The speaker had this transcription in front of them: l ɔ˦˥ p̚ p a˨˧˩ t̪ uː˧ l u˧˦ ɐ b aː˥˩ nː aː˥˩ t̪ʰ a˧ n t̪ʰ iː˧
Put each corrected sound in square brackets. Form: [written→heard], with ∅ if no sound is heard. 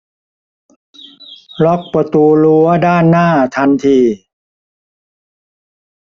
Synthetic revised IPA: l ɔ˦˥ [p̚→k̚] p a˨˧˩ t̪ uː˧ l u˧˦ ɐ [b→d] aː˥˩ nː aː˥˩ t̪ʰ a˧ n t̪ʰ iː˧